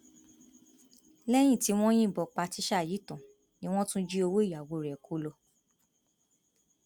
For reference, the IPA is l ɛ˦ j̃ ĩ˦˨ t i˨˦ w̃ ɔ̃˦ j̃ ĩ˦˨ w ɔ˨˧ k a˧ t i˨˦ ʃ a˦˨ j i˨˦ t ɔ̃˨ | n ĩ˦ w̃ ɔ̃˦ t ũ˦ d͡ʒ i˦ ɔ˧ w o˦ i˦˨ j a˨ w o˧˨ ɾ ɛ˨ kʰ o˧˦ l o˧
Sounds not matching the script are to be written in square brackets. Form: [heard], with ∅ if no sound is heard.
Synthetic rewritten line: l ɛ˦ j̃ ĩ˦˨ t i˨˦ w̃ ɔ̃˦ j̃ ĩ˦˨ [b] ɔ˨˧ [k͡p] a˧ t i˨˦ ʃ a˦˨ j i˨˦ t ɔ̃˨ | n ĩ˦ w̃ ɔ̃˦ t ũ˦ d͡ʒ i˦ [o˧] w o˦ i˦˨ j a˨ w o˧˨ ɾ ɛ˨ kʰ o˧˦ l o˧